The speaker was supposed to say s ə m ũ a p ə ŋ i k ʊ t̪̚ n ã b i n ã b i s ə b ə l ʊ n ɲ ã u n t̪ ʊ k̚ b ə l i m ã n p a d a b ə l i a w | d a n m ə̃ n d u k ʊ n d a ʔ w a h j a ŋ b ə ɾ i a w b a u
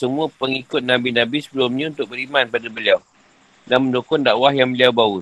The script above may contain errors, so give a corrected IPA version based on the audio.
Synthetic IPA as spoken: s ə m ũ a p ə ŋ i k ʊ t̪̚ n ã b i n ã b i s ə b ə l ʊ m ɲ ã u n t̪ ʊ k̚ b ə ɾ i m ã n p a d a b ə l i a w | d a n m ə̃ n d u k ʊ n d a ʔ w a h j a ŋ b ə l i a w b a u